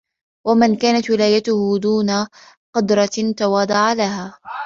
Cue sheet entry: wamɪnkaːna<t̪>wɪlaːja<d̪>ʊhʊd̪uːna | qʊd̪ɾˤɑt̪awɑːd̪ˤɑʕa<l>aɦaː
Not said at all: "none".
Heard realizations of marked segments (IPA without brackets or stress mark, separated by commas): t̪, t̪, l